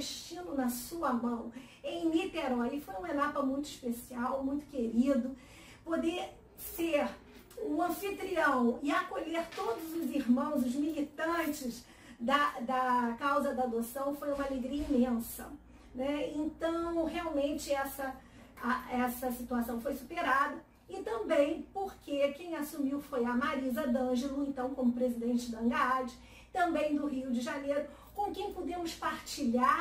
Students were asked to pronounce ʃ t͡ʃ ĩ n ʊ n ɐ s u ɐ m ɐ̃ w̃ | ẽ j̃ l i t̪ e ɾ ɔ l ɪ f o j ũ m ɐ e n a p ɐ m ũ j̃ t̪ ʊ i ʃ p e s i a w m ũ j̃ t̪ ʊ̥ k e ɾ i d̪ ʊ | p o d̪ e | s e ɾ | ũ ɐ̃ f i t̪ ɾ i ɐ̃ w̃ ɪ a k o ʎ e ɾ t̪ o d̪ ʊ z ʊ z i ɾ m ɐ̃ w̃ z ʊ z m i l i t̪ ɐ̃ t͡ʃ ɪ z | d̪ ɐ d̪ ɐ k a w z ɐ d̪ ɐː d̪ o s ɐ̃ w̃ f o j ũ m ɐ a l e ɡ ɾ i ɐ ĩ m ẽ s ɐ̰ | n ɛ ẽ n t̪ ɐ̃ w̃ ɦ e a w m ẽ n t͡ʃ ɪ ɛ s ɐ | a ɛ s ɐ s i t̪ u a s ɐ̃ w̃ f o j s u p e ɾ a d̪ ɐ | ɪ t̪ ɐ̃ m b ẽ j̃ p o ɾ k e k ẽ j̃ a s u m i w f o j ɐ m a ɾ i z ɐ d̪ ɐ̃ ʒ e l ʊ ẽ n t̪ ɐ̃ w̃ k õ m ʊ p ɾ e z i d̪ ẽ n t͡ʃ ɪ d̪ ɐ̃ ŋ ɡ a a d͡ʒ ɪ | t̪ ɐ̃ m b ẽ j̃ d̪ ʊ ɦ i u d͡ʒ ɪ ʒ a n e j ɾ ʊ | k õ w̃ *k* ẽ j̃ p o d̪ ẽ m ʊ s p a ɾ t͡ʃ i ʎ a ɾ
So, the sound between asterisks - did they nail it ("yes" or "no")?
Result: yes